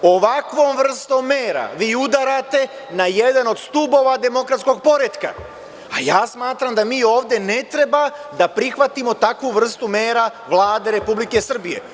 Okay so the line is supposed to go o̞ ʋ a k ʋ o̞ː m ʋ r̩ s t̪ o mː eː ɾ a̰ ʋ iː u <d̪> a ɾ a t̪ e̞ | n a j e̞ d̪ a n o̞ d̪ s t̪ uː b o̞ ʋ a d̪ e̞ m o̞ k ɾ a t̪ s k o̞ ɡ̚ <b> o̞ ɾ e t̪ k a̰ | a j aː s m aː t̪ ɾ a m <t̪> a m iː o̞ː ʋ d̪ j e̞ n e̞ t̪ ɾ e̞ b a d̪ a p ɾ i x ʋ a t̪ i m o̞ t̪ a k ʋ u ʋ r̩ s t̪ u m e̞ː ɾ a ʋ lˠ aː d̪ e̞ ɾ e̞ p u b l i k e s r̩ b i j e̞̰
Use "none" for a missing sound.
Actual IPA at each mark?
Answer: d̪, p, d̪

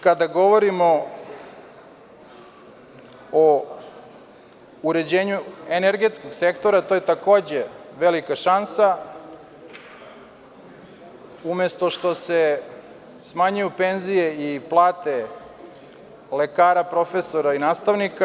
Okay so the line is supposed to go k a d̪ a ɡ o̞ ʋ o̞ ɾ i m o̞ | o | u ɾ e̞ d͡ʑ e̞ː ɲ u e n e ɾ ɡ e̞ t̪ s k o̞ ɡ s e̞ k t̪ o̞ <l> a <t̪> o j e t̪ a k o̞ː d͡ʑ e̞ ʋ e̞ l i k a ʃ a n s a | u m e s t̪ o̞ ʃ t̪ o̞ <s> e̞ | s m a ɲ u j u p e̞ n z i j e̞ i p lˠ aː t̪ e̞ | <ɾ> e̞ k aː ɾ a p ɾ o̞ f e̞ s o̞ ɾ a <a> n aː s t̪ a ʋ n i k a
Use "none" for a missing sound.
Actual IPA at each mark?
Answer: ɾ, t̪, s, l, i

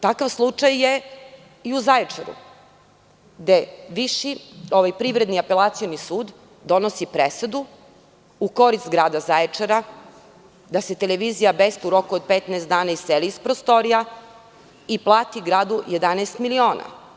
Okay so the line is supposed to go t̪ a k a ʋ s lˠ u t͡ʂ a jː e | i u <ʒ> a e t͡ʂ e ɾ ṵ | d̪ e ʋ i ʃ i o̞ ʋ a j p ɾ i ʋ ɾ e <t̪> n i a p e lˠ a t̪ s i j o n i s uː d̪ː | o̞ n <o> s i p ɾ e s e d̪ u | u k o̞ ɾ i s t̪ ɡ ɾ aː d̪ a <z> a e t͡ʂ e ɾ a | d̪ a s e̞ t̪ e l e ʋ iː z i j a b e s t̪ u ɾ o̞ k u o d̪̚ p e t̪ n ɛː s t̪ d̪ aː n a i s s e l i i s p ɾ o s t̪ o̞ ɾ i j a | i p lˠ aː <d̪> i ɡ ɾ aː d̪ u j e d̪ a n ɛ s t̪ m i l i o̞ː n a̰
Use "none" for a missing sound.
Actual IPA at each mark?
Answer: z, d̪, o, z, t̪

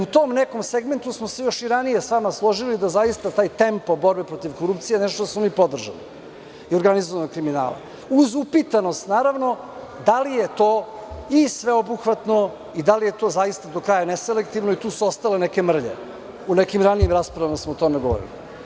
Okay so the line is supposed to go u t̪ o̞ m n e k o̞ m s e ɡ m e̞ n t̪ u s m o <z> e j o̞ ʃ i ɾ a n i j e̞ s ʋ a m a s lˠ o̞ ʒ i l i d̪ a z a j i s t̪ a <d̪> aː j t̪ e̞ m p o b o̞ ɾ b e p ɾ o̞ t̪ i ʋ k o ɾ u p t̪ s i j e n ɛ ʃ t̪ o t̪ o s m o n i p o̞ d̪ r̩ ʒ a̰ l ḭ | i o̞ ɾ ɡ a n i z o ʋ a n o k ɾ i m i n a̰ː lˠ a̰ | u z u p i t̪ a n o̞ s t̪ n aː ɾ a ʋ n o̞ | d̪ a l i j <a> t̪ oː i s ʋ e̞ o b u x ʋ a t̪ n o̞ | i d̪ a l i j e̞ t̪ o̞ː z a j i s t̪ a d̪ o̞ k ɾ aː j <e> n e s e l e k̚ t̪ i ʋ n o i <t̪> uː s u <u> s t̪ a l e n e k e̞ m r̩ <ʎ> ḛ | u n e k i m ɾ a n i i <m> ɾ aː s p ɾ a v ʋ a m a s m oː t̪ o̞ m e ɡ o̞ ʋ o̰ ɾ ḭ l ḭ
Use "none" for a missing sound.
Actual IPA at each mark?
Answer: s, t̪, e, a, t̪, o, ʎ, m

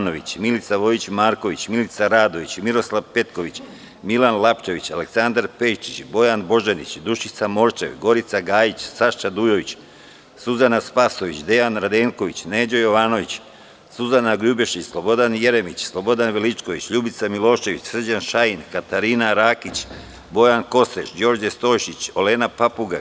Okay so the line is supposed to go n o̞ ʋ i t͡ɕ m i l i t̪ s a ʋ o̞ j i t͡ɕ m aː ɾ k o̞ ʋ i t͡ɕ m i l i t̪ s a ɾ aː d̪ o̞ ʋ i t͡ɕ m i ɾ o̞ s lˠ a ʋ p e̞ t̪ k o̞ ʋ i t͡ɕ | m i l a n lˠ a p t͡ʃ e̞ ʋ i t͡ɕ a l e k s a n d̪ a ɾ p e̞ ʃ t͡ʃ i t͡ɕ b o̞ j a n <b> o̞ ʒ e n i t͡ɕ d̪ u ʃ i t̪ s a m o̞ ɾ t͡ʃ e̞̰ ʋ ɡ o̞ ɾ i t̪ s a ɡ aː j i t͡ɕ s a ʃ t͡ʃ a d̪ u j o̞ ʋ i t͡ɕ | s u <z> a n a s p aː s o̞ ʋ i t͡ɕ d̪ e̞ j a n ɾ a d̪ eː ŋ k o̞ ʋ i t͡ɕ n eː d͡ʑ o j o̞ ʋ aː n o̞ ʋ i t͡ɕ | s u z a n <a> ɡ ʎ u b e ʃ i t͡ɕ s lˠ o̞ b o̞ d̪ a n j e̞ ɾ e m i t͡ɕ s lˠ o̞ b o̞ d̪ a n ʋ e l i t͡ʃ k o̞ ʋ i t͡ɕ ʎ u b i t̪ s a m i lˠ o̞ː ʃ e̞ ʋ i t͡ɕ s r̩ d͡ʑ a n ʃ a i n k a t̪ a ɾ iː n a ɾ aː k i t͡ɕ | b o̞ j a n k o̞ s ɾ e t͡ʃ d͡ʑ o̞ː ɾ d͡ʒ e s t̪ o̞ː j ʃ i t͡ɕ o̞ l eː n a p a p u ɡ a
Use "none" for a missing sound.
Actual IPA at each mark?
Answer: b, z, a

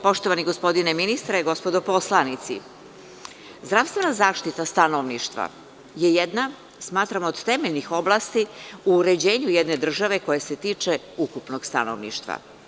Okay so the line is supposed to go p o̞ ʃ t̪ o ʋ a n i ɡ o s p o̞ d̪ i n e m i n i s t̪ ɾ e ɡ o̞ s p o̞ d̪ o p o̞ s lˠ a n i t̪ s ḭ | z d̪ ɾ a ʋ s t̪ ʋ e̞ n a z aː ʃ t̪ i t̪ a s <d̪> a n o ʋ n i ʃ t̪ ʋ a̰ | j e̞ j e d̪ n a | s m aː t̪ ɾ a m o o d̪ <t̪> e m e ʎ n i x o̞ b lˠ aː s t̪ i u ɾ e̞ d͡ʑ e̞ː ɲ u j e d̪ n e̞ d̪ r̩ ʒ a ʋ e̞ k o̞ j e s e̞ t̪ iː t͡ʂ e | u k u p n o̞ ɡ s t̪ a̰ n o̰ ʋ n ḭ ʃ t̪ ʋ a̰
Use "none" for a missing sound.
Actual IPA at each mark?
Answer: t̪, t̪

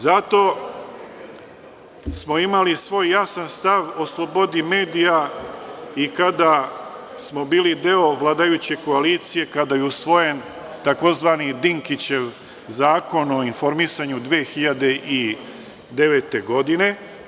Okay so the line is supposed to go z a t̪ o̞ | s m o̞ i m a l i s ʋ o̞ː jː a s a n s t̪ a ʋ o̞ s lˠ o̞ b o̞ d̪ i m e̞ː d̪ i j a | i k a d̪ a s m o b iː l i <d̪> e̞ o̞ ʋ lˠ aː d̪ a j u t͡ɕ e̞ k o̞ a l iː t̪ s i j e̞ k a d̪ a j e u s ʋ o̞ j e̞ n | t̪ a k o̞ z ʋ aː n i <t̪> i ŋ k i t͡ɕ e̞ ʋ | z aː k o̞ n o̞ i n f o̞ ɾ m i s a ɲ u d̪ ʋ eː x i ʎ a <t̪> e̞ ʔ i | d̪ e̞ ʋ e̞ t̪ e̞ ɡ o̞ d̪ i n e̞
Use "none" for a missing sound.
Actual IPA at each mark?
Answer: d̪, d̪, d̪

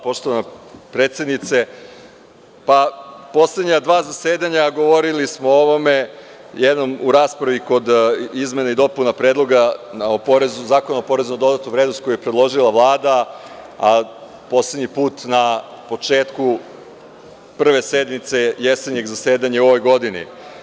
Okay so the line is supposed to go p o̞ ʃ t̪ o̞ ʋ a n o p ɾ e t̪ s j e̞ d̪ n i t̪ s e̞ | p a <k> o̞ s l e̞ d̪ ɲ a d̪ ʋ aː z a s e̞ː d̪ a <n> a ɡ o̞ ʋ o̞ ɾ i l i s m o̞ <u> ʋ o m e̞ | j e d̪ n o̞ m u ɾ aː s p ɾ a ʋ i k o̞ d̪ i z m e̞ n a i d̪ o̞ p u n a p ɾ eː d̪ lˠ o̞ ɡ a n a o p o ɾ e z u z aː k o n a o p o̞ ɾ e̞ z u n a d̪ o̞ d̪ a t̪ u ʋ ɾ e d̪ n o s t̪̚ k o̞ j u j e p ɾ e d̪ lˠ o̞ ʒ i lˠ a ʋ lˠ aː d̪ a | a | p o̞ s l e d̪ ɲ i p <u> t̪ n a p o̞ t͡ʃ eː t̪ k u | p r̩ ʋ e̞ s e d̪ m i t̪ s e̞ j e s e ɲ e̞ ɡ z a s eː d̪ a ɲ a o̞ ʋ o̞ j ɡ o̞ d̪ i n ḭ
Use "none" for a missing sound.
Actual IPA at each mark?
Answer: p, ɲ, o, uː

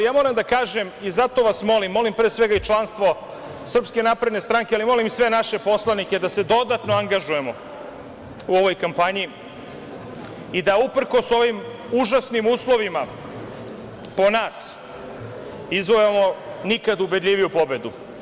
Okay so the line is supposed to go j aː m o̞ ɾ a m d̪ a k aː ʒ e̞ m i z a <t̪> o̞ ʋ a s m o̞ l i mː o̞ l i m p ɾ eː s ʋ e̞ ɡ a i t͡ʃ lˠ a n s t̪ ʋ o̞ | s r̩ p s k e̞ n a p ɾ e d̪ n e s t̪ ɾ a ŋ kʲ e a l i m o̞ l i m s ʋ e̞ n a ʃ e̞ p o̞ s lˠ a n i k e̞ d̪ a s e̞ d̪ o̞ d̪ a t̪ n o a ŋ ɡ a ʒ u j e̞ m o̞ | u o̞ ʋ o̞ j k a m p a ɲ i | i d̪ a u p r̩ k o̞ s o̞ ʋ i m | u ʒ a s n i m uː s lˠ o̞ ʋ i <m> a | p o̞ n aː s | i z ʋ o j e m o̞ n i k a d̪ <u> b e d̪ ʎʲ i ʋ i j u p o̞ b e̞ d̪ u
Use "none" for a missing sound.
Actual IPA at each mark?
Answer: t̪, m, u

